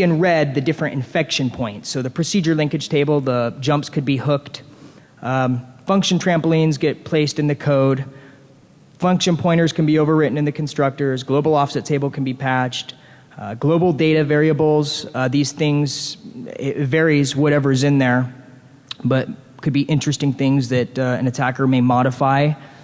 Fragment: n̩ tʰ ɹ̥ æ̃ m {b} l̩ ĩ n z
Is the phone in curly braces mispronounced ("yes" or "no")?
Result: yes